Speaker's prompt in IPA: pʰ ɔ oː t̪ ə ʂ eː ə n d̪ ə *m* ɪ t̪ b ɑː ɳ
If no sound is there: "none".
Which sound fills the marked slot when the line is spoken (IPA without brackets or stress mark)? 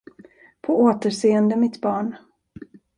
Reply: m